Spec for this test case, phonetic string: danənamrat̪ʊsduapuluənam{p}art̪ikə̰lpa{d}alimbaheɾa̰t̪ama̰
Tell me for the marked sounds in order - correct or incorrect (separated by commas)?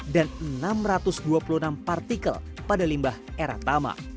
correct, correct